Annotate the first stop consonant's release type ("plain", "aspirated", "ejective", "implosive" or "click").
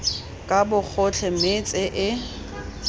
ejective